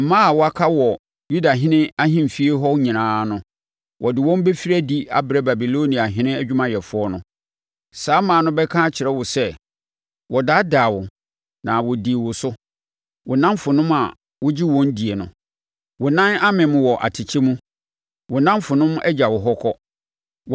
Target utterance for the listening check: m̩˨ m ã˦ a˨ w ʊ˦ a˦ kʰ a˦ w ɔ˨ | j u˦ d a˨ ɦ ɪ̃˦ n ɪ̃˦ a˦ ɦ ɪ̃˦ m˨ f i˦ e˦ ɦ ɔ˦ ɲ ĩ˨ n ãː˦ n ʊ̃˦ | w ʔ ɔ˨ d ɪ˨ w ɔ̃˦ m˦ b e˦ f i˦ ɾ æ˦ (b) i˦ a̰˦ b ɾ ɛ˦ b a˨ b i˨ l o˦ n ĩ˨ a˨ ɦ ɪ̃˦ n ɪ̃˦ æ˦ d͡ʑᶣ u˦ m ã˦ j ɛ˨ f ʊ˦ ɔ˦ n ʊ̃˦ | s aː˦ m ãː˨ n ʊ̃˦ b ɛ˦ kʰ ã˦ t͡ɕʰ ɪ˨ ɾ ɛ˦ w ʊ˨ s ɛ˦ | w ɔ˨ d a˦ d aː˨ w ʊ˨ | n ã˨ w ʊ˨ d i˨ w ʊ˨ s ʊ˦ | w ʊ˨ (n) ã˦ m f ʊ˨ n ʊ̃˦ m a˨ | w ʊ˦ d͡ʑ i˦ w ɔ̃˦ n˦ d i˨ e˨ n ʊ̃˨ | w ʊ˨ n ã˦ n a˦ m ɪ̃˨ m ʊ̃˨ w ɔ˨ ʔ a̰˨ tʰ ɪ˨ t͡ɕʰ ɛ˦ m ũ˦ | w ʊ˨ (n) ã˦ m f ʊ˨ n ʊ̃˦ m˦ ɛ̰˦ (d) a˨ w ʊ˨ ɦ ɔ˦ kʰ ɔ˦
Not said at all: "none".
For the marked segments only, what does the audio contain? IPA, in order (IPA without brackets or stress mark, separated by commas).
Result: d, n, n, d͡ʑ